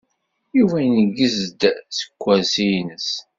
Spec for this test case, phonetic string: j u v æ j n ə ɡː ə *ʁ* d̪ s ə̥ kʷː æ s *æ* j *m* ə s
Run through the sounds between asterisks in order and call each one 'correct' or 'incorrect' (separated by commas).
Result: incorrect, incorrect, incorrect